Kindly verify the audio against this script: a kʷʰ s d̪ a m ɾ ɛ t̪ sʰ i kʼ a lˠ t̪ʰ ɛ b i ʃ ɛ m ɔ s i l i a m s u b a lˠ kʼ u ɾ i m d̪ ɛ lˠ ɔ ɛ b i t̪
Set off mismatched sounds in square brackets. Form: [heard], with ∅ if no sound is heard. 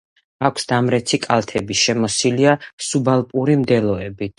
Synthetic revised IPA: a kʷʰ s d̪ a m ɾ ɛ t̪ sʰ i kʼ a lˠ t̪ʰ ɛ b i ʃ ɛ m ɔ s i l i a [∅] s u b a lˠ [pʼ] u ɾ i m d̪ ɛ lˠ ɔ ɛ b i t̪

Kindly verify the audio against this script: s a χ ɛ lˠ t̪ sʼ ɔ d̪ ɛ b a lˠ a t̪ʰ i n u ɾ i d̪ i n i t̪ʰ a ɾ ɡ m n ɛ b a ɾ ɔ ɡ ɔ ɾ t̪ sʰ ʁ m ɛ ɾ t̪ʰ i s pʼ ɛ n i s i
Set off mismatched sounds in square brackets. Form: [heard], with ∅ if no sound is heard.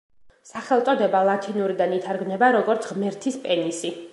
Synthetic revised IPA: s a χ ɛ lˠ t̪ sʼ ɔ d̪ ɛ b a lˠ a t̪ʰ i n u ɾ i d̪ [a] n i t̪ʰ a ɾ ɡ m n ɛ b a ɾ ɔ ɡ ɔ ɾ t̪ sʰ ʁ m ɛ ɾ t̪ʰ i s pʼ ɛ n i s i

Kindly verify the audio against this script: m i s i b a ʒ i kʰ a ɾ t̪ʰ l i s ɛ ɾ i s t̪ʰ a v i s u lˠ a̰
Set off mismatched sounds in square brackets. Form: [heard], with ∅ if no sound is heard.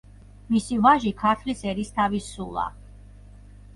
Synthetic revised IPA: m i s i [v] a ʒ i kʰ a ɾ t̪ʰ l i s ɛ ɾ i s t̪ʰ a v i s u lˠ a̰

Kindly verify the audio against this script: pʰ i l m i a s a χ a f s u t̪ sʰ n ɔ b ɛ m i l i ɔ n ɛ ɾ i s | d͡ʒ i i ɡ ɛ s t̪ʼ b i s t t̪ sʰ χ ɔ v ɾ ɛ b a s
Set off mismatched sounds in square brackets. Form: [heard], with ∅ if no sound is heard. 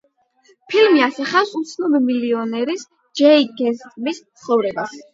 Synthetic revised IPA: pʰ i l m i a s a χ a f s u t̪ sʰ n ɔ b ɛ m i l i ɔ n ɛ ɾ i s | d͡ʒ [ɛ] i ɡ ɛ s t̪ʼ [m] i s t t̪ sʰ χ ɔ v ɾ ɛ b a s

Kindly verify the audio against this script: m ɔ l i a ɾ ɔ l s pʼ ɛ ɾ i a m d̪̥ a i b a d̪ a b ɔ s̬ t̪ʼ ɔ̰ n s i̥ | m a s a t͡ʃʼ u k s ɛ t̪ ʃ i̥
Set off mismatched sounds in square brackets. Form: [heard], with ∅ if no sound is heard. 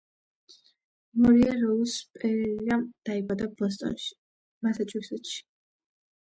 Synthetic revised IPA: m ɔ [ɾ] i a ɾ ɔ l s pʼ ɛ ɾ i a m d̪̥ a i b a d̪ a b ɔ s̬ t̪ʼ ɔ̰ n [ʃ] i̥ | m a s a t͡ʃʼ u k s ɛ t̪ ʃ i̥

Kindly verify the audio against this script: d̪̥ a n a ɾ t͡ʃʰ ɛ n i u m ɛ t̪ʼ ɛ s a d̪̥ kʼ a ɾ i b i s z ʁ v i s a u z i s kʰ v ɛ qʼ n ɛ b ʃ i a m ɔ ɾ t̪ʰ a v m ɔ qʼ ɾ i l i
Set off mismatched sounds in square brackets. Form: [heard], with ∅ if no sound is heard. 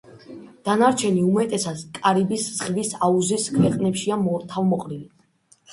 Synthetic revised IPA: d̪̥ a n a ɾ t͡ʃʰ ɛ n i u m ɛ t̪ʼ ɛ s a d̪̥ kʼ a ɾ i b i s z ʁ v i s a u z i s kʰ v ɛ qʼ n ɛ [p] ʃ i a m ɔ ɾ t̪ʰ a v m ɔ qʼ ɾ i l i

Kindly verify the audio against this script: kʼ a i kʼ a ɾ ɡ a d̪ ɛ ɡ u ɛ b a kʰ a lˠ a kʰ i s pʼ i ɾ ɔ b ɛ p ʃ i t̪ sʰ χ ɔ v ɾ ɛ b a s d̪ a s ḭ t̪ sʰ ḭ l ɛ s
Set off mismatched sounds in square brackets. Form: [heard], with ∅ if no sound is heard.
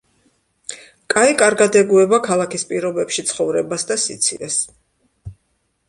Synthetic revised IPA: kʼ a i kʼ a ɾ ɡ a d̪ ɛ ɡ u ɛ b a kʰ a lˠ a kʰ i s pʼ i ɾ ɔ b ɛ p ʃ i t̪ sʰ χ ɔ v ɾ ɛ b a s d̪ a s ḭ t̪ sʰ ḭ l ɛ s

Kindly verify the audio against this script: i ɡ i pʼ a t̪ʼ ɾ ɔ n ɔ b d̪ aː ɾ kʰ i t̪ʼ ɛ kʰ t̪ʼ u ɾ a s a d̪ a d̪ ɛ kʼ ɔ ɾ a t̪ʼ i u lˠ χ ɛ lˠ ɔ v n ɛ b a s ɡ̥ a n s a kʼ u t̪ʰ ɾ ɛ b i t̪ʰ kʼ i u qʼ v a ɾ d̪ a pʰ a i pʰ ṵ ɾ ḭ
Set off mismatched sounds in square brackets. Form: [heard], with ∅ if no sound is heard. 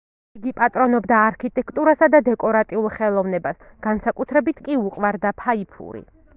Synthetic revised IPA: i ɡ i pʼ a t̪ʼ ɾ ɔ n ɔ b d̪ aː ɾ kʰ i t̪ʼ ɛ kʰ t̪ʼ u ɾ a s a d̪ a d̪ ɛ kʼ ɔ ɾ a t̪ʼ i u lˠ χ ɛ lˠ ɔ v n ɛ b a s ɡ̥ a n s a kʼ u t̪ʰ ɾ ɛ b i t̪ʰ kʼ i u qʼ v a ɾ d̪ a pʰ a i pʰ ṵ ɾ ḭ

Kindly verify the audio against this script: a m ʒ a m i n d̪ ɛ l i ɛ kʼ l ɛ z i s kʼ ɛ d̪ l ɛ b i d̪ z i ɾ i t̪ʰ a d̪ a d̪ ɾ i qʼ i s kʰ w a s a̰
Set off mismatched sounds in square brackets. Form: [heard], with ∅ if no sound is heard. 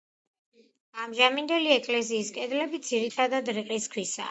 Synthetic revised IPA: a m ʒ a m i n d̪ ɛ l i ɛ kʼ l ɛ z [iː] s kʼ ɛ d̪ l ɛ b i d̪ z i ɾ i t̪ʰ a d̪ a d̪ ɾ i qʼ i s kʰ w [i] s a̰

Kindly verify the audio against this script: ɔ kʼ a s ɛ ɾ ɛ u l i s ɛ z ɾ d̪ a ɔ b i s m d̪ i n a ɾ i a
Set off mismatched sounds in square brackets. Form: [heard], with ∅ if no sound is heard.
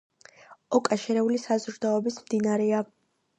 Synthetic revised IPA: ɔ kʼ a [ʃ] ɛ ɾ ɛ u l i s [a] z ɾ d̪ a ɔ b i s m d̪ i n a ɾ [ɛ] a

